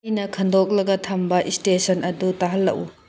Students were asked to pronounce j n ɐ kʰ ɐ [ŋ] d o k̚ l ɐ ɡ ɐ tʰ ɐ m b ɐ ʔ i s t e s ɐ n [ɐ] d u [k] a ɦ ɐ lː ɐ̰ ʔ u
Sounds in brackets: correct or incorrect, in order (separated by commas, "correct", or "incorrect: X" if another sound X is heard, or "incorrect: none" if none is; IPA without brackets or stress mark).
incorrect: n, correct, incorrect: t